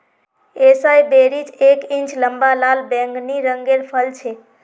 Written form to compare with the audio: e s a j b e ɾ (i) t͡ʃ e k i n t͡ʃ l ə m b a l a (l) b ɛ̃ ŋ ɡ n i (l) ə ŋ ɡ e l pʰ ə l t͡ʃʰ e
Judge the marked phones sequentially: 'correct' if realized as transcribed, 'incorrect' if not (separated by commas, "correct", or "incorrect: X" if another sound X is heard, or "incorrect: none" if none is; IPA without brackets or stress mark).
correct, correct, incorrect: ɾ